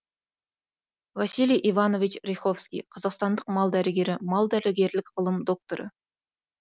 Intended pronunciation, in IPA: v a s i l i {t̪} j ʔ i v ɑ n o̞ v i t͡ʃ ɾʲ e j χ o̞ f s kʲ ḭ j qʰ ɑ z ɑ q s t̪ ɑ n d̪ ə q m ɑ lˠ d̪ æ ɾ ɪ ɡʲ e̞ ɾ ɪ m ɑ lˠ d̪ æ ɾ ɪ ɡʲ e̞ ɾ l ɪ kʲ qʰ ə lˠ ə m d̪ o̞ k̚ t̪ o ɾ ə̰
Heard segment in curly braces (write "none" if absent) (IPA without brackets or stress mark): none